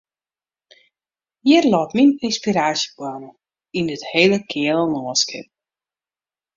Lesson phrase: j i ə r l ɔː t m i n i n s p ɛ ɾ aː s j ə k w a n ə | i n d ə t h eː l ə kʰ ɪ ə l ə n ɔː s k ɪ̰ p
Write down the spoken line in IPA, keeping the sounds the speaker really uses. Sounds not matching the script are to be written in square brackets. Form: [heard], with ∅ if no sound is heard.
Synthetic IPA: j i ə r l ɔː t m i n i n s p [i] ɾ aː s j ə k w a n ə | i n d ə t h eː l ə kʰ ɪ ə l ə n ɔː s k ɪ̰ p